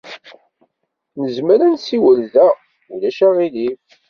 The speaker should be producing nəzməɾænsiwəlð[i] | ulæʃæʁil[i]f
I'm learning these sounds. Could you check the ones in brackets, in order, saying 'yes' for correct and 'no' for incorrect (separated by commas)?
no, yes